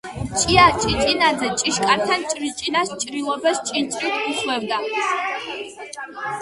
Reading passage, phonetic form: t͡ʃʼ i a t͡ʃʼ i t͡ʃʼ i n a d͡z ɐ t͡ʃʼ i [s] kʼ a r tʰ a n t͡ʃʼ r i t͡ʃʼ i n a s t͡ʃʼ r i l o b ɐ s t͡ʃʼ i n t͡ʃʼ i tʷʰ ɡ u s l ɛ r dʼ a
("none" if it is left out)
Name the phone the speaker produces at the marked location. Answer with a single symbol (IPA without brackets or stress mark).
ʃ